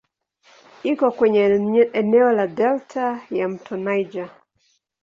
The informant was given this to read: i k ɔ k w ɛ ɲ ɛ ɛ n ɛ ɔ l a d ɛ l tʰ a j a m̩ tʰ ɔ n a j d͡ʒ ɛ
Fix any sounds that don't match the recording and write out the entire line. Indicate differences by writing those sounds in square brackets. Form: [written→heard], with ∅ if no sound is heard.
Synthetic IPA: i k ɔ k w ɛ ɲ ɛ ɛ n ɛ ɔ l a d ɛ l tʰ a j a m̩ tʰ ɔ n a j d͡ʒ [ɛ→a]